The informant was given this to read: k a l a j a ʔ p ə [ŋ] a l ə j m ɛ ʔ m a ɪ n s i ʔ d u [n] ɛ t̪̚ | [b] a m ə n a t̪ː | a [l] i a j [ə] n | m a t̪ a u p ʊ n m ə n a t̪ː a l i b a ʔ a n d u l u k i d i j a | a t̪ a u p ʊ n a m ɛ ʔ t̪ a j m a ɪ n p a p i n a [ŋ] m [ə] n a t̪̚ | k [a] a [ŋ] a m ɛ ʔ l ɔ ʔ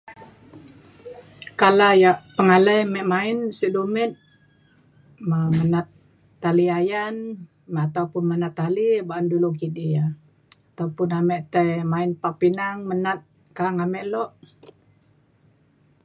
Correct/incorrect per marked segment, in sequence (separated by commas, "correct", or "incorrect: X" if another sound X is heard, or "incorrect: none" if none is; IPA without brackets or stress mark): correct, incorrect: m, incorrect: m, correct, incorrect: a, correct, correct, correct, correct